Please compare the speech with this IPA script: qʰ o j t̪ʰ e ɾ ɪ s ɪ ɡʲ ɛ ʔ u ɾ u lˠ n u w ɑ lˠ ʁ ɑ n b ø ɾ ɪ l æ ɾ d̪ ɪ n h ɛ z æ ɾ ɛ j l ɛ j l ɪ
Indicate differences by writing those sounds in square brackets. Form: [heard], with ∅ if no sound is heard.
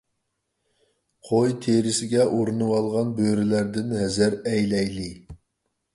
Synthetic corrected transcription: qʰ o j t̪ʰ e ɾ ɪ s ɪ ɡʲ ɛ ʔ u ɾ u [∅] n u w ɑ lˠ ʁ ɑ n b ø ɾ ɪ l æ ɾ d̪ ɪ n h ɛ z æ ɾ ɛ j l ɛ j l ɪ

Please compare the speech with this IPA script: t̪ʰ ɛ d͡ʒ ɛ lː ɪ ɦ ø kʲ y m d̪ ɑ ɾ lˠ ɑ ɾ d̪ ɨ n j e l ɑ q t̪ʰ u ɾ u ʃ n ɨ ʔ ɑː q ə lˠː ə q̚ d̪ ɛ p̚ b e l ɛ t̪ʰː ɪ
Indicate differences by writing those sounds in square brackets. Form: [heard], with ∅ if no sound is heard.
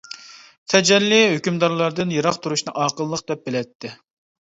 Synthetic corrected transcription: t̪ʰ ɛ d͡ʒ ɛ lː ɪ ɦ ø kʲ y m d̪ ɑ ɾ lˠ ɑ ɾ d̪ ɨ n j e [ɾ] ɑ q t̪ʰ u ɾ u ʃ n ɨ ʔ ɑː q ə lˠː ə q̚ d̪ ɛ p̚ b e l ɛ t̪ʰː ɪ

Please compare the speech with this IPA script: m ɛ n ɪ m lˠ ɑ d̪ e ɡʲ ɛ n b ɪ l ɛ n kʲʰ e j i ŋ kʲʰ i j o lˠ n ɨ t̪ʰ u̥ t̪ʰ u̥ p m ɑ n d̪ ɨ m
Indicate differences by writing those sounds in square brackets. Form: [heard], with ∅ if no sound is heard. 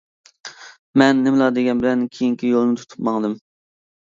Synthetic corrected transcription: m ɛ [nː] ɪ m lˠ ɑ d̪ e ɡʲ ɛ n b ɪ l ɛ n kʲʰ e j i ŋ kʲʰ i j o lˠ n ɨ t̪ʰ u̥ t̪ʰ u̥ p m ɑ [ŋ] d̪ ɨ m

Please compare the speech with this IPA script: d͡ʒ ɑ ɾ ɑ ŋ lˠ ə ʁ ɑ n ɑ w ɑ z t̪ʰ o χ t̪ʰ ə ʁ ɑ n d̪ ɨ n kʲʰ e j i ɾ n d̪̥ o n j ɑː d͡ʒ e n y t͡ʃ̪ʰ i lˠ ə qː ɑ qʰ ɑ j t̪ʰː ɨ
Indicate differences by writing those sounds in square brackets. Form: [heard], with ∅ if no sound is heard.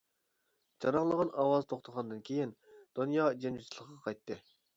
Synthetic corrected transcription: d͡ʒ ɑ ɾ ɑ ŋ lˠ ə ʁ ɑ n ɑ w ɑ z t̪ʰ o χ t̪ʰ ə ʁ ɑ n d̪ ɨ n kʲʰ e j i [∅] n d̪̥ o n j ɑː d͡ʒ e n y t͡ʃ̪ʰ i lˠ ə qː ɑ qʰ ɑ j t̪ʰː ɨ

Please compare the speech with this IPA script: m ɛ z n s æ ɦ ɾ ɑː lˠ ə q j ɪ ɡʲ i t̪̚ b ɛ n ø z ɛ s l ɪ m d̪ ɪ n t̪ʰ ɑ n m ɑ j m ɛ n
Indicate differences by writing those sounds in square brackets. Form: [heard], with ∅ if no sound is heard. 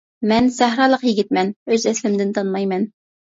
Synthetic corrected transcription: m ɛ [∅] n s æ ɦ ɾ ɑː lˠ ə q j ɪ ɡʲ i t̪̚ [m] ɛ n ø z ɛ s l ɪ m d̪ ɪ n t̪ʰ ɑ n m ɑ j m ɛ n

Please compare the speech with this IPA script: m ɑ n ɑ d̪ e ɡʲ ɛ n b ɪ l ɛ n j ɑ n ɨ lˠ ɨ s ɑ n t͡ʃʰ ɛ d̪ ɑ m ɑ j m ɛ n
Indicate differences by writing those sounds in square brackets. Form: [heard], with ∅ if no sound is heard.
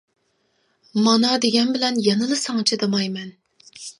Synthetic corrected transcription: m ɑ n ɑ d̪ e ɡʲ ɛ n b ɪ l ɛ n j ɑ n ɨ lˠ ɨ s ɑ [ŋ] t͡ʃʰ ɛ d̪ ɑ m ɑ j m ɛ n

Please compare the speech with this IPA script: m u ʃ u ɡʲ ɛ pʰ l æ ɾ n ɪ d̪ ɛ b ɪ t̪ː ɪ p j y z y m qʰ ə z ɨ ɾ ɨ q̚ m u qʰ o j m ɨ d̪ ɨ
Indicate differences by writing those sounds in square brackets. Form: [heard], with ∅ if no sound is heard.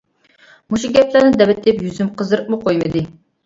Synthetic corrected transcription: m u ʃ u ɡʲ ɛ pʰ l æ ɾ n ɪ d̪ ɛ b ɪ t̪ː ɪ p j y z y m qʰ ə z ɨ ɾ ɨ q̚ m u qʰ o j m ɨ d̪ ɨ

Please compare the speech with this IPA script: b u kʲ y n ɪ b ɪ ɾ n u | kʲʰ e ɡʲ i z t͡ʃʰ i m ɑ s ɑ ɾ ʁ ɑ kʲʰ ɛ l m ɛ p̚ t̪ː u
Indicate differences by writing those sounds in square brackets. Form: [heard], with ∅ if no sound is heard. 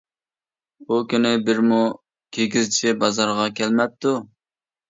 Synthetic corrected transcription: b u kʲ y n ɪ b ɪ ɾ [m] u | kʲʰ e ɡʲ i z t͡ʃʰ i [b] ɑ [z] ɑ ɾ ʁ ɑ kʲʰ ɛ l m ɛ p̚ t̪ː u

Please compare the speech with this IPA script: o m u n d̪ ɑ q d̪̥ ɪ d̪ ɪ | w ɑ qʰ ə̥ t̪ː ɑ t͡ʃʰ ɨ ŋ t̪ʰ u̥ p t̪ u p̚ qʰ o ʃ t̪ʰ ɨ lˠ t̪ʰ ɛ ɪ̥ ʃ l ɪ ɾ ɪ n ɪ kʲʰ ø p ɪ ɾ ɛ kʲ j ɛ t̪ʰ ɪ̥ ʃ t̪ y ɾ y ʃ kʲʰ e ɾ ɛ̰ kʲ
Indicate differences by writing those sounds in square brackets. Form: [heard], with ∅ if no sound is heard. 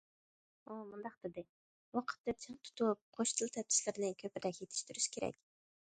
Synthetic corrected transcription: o m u n d̪ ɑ q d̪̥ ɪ d̪ ɪ | w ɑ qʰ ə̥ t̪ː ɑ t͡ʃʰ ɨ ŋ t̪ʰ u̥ [∅] t̪ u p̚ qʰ o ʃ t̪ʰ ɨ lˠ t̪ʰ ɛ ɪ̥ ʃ l ɪ ɾ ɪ n ɪ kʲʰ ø p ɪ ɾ ɛ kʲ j [e] t̪ʰ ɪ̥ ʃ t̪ y ɾ y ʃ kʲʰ e ɾ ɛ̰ kʲ

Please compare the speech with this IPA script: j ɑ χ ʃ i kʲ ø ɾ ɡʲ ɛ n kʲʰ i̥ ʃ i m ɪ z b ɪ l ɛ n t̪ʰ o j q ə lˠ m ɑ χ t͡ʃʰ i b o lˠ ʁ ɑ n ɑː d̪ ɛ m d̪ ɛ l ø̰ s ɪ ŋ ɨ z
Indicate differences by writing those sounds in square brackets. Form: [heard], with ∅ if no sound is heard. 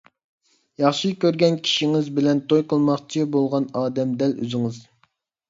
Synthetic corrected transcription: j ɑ χ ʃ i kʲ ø ɾ ɡʲ ɛ n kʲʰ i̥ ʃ i [ŋ] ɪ z b ɪ l ɛ n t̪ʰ o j q ə lˠ m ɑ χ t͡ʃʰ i b o lˠ ʁ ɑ n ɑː d̪ ɛ m d̪ ɛ l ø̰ [z] ɪ ŋ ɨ z

